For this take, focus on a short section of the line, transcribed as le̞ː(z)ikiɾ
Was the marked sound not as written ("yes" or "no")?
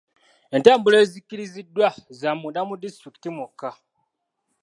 no